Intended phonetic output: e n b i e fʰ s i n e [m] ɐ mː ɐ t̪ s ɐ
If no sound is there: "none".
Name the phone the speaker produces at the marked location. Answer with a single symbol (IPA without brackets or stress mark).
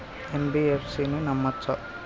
n